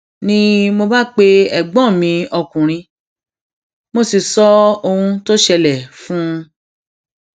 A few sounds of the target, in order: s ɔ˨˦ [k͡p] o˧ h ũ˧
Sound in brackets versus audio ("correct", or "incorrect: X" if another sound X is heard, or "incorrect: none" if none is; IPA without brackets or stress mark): incorrect: none